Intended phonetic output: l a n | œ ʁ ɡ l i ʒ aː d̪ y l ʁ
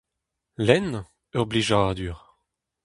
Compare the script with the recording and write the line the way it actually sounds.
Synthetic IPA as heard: l ɛ n | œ ʁ b l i ʒ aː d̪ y ʁ